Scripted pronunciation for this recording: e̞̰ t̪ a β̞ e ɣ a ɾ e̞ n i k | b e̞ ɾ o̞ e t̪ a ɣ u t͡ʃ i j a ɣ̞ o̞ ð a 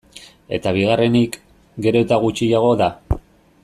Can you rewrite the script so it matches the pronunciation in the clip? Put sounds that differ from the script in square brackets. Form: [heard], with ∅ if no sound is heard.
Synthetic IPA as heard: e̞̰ t̪ a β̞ [i] ɣ a [r] e̞ n i k | [ɡ] e̞ ɾ o̞ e t̪ a ɣ u t͡ʃ i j a ɣ̞ o̞ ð a

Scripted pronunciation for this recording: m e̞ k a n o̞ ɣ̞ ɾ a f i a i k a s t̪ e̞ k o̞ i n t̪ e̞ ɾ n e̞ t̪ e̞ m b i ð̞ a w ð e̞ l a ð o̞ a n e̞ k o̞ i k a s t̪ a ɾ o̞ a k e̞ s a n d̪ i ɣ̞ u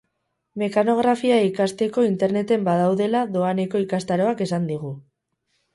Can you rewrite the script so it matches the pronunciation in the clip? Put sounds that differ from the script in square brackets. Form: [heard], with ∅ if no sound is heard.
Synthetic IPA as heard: m e̞ k a n o̞ ɣ̞ ɾ a f i a i k a s t̪ e̞ k o̞ i n t̪ e̞ ɾ n e̞ t̪ e̞ m b [a] ð̞ a w ð e̞ l a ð o̞ a n e̞ k o̞ i k a s t̪ a ɾ o̞ a k e̞ s a n d̪ i ɣ̞ u

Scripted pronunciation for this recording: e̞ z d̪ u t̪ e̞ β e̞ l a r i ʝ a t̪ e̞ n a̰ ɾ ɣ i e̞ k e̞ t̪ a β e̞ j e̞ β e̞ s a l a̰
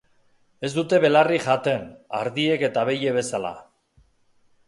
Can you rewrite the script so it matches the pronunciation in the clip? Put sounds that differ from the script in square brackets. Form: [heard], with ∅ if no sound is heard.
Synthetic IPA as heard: e̞ z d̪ u t̪ e̞ β e̞ l a r i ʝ a t̪ e̞ n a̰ ɾ [ð] i e̞ k e̞ t̪ a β e̞ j e̞ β e̞ s a l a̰

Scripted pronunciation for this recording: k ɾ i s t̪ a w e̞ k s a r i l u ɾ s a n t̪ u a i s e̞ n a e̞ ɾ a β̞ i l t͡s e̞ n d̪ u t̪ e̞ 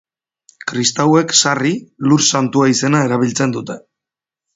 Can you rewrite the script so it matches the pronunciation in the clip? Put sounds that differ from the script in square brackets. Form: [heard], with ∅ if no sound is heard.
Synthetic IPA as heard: k ɾ i s t̪ a w e̞ k s a r i l u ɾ s a n t̪ u a i s e̞ n a e̞ ɾ a β̞ i l t͡s e̞ n d̪ u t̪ e̞

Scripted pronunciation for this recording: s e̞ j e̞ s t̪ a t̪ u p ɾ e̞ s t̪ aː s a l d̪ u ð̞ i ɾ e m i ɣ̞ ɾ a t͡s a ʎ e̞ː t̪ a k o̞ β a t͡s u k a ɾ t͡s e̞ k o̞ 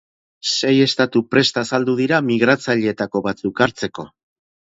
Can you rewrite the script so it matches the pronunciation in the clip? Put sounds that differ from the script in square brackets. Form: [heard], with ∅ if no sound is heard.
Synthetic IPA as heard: s e̞ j e̞ s t̪ a t̪ u p ɾ e̞ s t̪ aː s a l d̪ u ð̞ i ɾ [a] m i ɣ̞ ɾ a t͡s a ʎ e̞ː t̪ a k o̞ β a t͡s u k a ɾ t͡s e̞ k o̞

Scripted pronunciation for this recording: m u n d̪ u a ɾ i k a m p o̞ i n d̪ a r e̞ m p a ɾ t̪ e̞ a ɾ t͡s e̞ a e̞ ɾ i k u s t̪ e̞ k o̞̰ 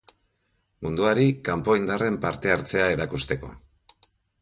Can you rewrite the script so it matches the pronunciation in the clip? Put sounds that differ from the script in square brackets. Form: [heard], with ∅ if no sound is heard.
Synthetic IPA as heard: m u n d̪ u a ɾ i k a m p o̞ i n d̪ a r e̞ m p a ɾ t̪ e̞ a ɾ t͡s e̞ a e̞ ɾ [a] k u s t̪ e̞ k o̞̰

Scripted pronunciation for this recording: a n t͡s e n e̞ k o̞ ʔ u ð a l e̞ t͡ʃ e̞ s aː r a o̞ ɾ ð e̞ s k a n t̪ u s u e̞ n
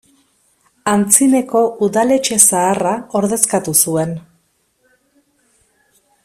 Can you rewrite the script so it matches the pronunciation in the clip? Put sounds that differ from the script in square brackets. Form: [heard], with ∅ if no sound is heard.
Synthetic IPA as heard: a n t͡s [i] n e̞ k o̞ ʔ u ð a l e̞ t͡ʃ e̞ s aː r a o̞ ɾ ð e̞ s k a [∅] t̪ u s u e̞ n

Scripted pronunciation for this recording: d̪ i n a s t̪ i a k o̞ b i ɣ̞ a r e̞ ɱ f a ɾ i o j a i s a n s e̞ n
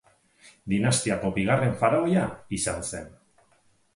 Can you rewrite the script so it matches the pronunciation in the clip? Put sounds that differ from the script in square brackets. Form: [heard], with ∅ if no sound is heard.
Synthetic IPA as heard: d̪ i n a s t̪ i a k o̞ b i ɣ̞ a r e̞ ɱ f a ɾ [a] o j a i s a n s e̞ n

